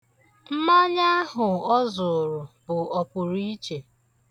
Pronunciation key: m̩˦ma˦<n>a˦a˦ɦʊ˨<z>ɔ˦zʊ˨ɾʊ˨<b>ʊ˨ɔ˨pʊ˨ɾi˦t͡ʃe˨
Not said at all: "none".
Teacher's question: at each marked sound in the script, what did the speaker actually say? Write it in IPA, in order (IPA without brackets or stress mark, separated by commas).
ɲ, none, b